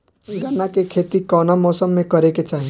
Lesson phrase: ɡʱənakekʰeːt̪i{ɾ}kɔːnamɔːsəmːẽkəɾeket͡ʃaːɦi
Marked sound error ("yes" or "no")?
yes